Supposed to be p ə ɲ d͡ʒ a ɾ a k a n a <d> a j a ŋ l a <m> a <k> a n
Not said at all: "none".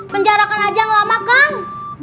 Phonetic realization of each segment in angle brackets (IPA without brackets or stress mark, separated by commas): d͡ʒ, m, k